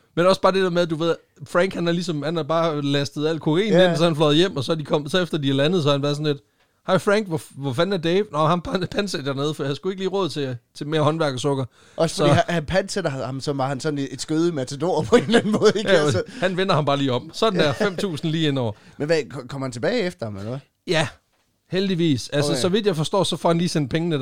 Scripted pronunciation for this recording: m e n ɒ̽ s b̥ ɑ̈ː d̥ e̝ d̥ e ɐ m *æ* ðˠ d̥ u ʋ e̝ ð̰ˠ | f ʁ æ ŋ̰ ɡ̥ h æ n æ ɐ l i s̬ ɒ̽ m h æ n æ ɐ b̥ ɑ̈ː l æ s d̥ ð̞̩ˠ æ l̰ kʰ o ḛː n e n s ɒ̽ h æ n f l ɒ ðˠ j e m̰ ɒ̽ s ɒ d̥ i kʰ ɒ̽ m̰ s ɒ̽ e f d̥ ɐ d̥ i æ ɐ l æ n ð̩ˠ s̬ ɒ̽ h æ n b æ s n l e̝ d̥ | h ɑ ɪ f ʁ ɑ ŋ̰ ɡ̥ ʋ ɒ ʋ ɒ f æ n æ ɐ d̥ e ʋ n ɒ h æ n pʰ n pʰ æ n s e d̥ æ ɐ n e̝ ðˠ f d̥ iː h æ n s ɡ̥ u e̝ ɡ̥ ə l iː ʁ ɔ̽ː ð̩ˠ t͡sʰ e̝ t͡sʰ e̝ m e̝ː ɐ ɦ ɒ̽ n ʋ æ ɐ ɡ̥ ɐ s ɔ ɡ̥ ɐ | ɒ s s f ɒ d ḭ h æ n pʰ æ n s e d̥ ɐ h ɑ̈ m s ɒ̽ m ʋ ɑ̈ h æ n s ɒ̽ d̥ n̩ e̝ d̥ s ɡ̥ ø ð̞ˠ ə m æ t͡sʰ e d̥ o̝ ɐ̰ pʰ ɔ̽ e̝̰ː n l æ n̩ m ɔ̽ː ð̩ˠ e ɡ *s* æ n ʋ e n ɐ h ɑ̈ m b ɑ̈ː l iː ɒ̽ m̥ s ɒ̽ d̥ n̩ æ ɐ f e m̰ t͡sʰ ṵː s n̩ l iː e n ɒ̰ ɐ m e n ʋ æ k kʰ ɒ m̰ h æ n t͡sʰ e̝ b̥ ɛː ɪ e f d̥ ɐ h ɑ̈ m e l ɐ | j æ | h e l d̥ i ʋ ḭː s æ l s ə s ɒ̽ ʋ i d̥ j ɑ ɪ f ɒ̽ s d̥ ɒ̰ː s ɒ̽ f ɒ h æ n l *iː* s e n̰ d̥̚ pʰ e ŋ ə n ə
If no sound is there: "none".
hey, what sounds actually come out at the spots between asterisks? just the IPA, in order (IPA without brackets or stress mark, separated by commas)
e, h, iː